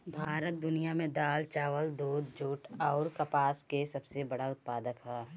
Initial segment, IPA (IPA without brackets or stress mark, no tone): bʱ